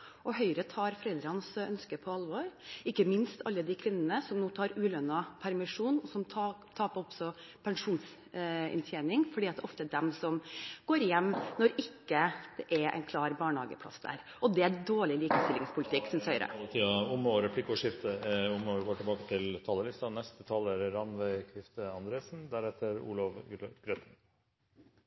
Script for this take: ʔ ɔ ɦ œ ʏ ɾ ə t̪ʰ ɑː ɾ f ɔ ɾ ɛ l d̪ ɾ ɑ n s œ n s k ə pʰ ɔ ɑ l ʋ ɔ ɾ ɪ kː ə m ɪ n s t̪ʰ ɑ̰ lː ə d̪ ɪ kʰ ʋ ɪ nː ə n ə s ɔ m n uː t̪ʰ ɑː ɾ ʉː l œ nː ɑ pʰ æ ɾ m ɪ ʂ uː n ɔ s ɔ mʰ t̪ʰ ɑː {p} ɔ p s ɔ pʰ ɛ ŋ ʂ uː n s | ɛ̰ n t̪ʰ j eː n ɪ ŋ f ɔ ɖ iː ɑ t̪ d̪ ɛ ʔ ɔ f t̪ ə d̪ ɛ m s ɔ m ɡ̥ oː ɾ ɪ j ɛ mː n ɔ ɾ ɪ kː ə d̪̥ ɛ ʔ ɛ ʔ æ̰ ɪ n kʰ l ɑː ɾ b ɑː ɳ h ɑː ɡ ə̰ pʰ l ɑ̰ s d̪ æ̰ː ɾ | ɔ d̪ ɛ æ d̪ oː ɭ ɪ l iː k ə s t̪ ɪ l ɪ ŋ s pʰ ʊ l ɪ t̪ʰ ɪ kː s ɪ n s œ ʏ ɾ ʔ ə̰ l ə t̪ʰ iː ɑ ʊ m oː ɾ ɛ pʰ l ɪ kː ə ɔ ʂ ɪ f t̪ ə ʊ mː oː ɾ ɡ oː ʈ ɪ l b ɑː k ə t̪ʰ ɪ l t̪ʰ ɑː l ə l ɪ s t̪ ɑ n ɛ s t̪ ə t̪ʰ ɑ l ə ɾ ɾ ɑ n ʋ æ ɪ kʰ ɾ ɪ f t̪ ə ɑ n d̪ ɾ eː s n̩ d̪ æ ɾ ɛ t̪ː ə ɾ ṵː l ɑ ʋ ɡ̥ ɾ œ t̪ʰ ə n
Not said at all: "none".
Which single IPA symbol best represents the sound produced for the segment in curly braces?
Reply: p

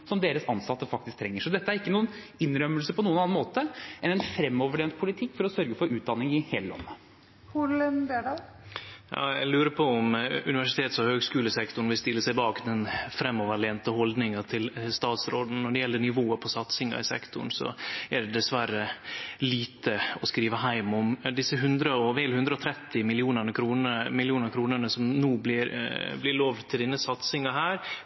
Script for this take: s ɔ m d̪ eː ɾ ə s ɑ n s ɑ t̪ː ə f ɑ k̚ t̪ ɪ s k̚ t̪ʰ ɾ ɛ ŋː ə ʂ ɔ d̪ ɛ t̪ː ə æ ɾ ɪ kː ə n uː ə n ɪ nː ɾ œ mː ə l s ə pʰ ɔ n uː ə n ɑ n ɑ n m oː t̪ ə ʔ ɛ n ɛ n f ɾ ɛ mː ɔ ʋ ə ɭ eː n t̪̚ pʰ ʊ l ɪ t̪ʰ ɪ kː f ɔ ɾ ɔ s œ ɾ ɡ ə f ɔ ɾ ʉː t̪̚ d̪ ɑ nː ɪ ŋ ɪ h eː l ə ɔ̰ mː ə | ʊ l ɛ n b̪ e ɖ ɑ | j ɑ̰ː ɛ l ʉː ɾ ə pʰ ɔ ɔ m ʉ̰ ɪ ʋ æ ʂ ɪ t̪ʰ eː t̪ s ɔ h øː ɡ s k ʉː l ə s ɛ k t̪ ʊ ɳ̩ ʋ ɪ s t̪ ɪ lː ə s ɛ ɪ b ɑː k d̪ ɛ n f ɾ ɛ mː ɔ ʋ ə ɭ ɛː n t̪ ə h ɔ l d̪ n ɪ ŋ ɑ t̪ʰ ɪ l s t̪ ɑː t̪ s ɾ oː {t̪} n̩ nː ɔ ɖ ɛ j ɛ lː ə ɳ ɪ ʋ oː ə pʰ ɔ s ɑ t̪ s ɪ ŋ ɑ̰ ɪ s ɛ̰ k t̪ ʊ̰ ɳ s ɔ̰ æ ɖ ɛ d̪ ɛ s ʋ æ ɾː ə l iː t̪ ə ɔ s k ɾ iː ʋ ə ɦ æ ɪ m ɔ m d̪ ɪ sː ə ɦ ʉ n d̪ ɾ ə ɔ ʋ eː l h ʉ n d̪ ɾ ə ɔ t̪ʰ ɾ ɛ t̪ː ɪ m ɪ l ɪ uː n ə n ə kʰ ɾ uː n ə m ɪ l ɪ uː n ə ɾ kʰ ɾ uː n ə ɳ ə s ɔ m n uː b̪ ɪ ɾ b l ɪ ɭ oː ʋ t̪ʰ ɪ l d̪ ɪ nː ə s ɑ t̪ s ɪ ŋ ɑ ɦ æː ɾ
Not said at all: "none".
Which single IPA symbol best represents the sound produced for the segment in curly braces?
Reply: d̪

